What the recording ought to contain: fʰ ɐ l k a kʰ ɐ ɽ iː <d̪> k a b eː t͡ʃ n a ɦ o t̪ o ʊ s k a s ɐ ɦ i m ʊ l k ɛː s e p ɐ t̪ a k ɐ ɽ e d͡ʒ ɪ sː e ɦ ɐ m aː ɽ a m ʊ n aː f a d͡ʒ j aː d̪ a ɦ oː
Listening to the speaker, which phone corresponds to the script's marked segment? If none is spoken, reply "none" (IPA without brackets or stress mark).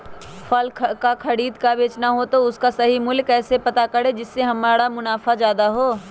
d̪